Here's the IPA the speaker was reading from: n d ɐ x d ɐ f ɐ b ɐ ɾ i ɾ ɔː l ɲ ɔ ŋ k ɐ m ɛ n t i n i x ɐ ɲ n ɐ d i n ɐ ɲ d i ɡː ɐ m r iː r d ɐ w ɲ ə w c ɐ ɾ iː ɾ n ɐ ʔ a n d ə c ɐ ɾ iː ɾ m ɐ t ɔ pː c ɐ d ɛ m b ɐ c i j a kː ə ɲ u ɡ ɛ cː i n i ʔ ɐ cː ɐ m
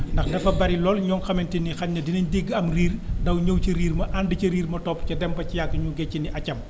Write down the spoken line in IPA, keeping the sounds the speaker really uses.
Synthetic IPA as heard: n d ɐ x d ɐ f ɐ b ɐ ɾ i l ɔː l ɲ ɔ ŋ x ɐ m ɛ n t i n i x ɐ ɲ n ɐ d i n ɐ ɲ d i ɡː ɐ m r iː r d ɐ w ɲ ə w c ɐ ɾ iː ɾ m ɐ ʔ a n d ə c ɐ ɾ iː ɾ m ɐ t ɔ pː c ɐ d ɛ m b ɐ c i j a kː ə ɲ u ɡ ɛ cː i n i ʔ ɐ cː ɐ m